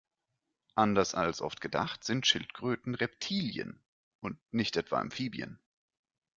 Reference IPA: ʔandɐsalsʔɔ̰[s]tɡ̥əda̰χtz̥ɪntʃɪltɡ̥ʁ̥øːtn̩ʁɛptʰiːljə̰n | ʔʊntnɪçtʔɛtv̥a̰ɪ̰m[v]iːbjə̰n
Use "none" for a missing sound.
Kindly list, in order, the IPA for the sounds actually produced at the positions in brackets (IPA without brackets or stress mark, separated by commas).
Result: f, f